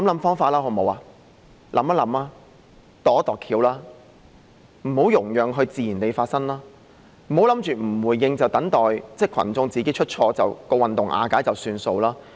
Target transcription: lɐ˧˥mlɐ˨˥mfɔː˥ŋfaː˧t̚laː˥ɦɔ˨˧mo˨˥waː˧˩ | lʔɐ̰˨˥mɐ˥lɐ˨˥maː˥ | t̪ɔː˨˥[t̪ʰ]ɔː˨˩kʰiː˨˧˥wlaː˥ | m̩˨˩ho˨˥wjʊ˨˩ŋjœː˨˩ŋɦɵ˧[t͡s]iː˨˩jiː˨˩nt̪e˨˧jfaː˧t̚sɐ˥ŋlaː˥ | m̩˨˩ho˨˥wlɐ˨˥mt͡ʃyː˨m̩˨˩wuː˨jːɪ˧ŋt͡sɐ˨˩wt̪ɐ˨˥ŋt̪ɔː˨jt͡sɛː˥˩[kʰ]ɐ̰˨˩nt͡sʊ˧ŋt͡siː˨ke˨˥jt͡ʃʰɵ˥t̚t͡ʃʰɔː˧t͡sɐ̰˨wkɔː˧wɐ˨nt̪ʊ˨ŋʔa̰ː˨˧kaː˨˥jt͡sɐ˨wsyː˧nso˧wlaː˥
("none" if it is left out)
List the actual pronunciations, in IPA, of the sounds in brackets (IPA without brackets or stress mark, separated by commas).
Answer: t̪, t͡s, kʰ